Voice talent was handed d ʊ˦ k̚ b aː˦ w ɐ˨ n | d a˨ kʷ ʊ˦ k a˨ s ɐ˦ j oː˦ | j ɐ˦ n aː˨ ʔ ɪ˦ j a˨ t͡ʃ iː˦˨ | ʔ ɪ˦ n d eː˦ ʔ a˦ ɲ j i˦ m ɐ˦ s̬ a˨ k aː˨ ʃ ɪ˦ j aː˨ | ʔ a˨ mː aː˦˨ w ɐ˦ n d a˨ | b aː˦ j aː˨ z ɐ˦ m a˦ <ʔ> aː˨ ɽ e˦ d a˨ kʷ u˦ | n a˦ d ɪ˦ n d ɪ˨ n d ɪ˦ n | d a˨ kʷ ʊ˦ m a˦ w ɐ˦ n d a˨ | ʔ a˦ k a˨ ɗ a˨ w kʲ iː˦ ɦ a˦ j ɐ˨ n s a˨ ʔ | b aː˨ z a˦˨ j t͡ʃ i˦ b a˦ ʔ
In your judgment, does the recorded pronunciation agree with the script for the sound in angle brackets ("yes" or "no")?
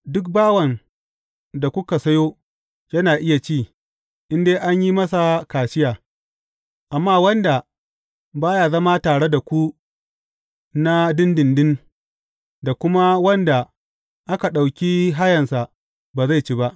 no